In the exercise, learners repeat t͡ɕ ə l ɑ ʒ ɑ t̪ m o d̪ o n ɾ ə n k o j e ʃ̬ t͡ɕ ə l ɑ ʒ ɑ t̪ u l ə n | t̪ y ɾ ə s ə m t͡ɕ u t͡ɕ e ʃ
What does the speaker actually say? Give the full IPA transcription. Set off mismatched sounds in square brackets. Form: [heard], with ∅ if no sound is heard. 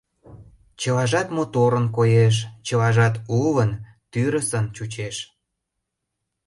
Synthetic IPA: t͡ɕ ə l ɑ ʒ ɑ t̪ m o [t̪] o [∅] ɾ ə n k o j e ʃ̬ t͡ɕ ə l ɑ ʒ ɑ t̪ u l ə n | t̪ y ɾ ə s ə [n] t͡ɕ u t͡ɕ e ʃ